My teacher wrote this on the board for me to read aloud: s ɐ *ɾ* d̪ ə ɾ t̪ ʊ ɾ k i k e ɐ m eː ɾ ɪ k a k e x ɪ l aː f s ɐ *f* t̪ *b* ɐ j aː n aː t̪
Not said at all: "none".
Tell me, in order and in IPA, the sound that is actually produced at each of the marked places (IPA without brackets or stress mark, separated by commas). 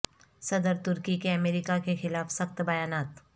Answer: none, x, b